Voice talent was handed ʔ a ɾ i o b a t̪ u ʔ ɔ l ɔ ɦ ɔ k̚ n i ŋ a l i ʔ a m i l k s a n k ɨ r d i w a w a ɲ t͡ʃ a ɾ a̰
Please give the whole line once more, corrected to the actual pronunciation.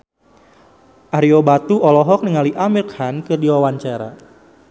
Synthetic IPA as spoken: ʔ a ɾ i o b a t̪ u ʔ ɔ l ɔ ɦ ɔ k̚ n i ŋ a l i ʔ a m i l k h a n k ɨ r d i w a w a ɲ t͡ʃ a ɾ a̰